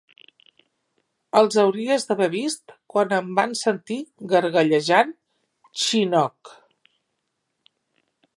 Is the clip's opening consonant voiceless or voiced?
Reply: voiced